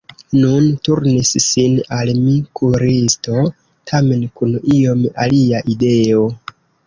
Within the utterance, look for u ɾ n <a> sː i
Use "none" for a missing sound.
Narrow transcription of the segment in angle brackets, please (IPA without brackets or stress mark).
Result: i